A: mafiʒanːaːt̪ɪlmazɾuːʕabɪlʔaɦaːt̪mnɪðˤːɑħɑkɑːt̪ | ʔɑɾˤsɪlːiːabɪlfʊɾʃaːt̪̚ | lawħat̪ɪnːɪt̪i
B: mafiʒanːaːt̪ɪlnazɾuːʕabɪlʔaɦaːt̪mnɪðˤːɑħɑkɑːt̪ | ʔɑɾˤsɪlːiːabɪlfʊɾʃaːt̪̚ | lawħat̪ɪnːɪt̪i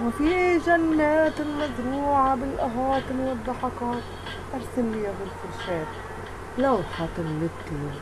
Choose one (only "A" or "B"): A